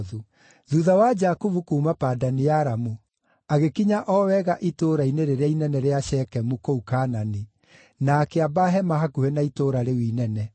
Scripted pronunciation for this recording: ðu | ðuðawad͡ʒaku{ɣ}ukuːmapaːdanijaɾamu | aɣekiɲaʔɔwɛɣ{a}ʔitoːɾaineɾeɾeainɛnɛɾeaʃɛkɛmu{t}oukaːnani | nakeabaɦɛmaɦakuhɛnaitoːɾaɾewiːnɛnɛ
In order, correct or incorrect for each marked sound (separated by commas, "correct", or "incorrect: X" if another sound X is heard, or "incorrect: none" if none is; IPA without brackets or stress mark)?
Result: incorrect: v, correct, incorrect: k